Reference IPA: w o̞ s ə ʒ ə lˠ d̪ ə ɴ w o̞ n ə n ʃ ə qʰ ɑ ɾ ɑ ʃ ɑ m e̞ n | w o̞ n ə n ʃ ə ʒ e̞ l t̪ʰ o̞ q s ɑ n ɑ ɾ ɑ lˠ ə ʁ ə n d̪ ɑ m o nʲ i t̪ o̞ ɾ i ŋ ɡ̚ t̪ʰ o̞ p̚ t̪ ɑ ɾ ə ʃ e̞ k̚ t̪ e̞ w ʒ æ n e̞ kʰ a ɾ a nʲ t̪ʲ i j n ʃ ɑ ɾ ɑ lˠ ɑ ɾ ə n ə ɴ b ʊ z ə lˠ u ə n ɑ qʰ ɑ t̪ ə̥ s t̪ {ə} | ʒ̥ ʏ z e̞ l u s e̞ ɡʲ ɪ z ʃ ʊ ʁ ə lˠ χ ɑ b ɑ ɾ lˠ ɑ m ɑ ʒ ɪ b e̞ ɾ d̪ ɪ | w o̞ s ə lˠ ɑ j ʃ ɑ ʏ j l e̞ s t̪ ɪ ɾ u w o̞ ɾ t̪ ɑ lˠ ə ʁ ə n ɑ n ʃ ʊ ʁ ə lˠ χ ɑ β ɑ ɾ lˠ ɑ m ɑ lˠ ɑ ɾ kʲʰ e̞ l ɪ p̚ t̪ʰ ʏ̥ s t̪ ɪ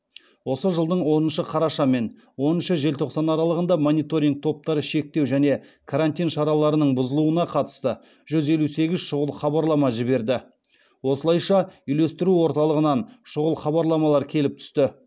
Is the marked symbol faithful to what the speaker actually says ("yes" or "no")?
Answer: yes